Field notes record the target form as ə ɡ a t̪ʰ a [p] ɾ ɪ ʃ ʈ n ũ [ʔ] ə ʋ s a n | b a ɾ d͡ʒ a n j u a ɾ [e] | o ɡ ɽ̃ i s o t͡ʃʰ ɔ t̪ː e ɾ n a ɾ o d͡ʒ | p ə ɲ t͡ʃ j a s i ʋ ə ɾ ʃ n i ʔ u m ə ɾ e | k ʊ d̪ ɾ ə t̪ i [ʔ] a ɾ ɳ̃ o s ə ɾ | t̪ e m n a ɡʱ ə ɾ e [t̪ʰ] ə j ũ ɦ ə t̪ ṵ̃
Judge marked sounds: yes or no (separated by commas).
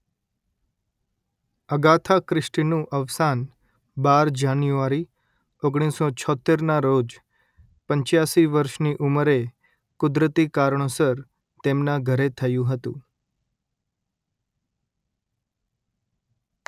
no, yes, no, no, yes